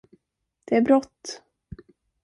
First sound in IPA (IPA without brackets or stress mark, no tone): d̪̥